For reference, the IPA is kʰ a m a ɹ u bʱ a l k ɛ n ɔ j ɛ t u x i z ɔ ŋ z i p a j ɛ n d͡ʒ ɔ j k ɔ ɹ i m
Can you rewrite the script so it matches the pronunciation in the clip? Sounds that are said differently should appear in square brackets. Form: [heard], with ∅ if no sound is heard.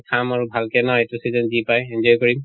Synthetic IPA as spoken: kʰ a m a ɹ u bʱ a l k ɛ n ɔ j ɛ t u [s] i z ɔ [n] z i p a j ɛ n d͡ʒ ɔ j k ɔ ɹ i m